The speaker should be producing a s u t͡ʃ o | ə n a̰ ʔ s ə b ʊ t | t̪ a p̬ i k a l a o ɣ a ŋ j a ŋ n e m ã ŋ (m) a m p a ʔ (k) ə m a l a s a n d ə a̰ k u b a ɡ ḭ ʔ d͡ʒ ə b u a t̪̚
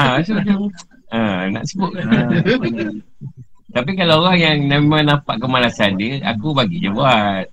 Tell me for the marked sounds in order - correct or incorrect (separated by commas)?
incorrect, correct